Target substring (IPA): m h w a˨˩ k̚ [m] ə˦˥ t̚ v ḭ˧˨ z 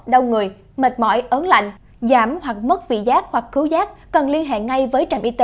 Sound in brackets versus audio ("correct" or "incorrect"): correct